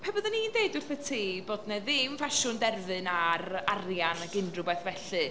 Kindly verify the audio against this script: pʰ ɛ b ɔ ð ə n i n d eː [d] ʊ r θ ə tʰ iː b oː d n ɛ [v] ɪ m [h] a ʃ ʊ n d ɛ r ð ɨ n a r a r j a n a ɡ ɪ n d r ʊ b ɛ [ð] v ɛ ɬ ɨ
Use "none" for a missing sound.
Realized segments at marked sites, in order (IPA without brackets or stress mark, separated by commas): d, ð, f, θ